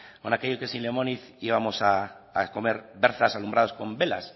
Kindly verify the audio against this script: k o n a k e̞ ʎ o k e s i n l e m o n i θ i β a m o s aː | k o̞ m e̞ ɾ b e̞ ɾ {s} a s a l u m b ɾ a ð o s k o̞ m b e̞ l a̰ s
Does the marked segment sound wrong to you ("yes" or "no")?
yes